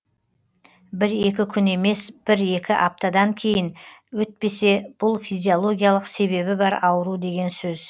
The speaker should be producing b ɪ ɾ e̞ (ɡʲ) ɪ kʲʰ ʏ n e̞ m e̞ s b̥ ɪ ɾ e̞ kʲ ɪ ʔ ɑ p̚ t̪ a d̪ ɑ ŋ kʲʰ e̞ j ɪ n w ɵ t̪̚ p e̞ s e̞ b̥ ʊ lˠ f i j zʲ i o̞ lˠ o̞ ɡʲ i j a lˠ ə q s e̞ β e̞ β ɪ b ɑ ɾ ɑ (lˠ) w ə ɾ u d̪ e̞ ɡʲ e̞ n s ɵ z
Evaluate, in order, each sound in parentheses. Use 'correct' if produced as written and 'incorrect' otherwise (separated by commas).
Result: incorrect, incorrect